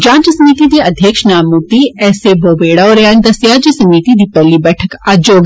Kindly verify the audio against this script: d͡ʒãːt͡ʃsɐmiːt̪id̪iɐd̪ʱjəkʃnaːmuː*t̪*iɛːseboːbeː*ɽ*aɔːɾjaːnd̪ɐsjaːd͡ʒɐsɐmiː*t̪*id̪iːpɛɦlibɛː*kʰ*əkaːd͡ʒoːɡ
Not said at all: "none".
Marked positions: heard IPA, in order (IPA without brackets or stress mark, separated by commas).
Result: t̪, ɽ, t̪, ʈʰ